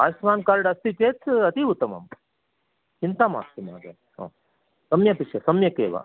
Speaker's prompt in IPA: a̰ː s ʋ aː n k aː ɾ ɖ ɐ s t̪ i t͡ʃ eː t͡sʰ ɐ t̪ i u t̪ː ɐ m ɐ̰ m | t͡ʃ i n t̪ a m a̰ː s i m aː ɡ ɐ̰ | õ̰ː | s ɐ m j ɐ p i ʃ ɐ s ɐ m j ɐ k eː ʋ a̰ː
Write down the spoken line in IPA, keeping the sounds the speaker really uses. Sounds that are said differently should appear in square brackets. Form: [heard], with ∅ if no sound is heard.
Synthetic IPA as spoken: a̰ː s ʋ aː n k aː ɾ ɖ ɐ s t̪ i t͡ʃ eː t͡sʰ ɐ t̪ i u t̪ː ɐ m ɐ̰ m | t͡ʃ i n t̪ a m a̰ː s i m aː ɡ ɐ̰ | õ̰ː | s ɐ m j ɐ p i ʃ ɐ s ɐ m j ɐ k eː ʋ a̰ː

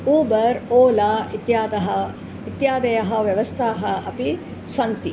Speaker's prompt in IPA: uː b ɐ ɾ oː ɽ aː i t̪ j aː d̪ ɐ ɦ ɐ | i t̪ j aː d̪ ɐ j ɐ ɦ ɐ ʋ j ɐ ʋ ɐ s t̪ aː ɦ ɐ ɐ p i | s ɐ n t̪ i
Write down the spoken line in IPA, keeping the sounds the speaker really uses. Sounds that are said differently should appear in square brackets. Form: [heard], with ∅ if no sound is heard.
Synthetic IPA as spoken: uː b ɐ ɾ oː [l] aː i t̪ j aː d̪ ɐ ɦ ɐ | i t̪ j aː d̪ ɐ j ɐ ɦ ɐ ʋ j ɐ ʋ ɐ s [t̪ʰ] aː ɦ ɐ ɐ p i | s ɐ n t̪ i

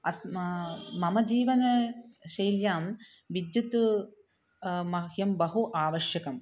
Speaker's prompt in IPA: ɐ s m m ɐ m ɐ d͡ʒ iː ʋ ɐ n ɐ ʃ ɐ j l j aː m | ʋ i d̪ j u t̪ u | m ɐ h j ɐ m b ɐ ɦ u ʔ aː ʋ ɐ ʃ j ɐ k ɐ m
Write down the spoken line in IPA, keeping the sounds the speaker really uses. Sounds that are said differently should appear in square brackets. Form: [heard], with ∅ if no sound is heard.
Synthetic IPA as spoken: ɐ s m m ɐ m ɐ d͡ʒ iː ʋ ɐ n ɐ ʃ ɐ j l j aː m | ʋ i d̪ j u t̪ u | m ɐ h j ɐ m b ɐ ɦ u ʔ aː ʋ ɐ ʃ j ɐ k ɐ m

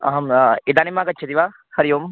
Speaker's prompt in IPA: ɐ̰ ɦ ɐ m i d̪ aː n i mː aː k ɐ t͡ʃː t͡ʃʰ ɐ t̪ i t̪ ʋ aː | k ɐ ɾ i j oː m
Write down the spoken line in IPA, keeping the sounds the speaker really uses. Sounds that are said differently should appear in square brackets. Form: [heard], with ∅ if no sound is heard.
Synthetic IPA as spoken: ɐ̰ ɦ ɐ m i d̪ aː n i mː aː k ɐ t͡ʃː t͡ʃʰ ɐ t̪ i [∅] ʋ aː | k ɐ ɾ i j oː m

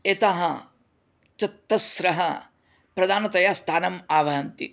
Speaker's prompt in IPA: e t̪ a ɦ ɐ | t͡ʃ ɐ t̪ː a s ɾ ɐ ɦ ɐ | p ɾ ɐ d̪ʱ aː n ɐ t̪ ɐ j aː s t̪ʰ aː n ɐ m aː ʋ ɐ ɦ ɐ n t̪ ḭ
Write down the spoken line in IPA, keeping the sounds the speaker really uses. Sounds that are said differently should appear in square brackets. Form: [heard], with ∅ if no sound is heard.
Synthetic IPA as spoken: e t̪ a ɦ ɐ | t͡ʃ ɐ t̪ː [ɐ] s ɾ ɐ ɦ ɐ | p ɾ ɐ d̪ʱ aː n ɐ t̪ ɐ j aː s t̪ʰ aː n ɐ m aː ʋ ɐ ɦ ɐ n t̪ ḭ

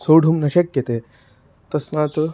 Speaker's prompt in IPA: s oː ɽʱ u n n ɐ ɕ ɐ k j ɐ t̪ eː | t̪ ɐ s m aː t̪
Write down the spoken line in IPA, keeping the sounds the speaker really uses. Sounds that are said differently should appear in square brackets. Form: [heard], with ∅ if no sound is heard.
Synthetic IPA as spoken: s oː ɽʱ u [m] n ɐ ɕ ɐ k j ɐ t̪ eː | t̪ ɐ s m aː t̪

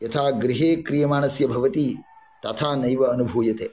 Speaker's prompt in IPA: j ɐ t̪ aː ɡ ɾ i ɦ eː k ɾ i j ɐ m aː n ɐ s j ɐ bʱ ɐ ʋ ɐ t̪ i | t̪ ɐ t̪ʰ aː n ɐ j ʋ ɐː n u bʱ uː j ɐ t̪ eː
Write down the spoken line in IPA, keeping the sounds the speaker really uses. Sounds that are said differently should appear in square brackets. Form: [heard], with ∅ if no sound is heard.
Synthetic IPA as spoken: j ɐ [t̪ʰ] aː ɡ ɾ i ɦ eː k ɾ i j ɐ m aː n ɐ s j ɐ bʱ ɐ ʋ ɐ t̪ i | t̪ ɐ t̪ʰ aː n ɐ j ʋ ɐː n u bʱ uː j ɐ t̪ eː

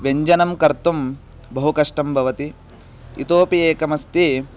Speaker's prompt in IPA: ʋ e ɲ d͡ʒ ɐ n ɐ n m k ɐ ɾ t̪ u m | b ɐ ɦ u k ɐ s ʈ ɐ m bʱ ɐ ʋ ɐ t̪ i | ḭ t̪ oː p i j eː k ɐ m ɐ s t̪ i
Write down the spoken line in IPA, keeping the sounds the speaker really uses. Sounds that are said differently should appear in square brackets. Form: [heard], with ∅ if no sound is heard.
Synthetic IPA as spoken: ʋ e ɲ d͡ʒ ɐ n ɐ [∅] m k ɐ ɾ t̪ u m | b ɐ ɦ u k ɐ [ʂ] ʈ ɐ m bʱ ɐ ʋ ɐ t̪ i | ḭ t̪ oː p i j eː k ɐ m ɐ s t̪ i

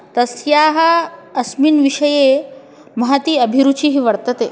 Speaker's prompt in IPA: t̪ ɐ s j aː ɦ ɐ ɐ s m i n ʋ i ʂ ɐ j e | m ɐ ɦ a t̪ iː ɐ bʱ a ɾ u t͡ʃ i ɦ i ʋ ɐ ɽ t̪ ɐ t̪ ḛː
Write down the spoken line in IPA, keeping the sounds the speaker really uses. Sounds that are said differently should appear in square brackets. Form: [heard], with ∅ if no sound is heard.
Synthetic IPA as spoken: t̪ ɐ s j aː ɦ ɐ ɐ s m i n ʋ i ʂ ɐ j e | m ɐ ɦ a t̪ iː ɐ bʱ [i] ɾ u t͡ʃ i ɦ i ʋ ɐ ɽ t̪ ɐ t̪ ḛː

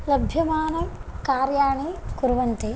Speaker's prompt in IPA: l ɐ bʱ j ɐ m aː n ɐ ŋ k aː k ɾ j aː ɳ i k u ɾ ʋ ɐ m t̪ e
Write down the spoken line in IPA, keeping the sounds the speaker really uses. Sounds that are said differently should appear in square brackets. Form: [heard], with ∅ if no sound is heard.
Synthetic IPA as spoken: l ɐ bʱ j ɐ m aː n ɐ [m] k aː [∅] ɾ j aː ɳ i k u ɾ ʋ ɐ [n] t̪ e

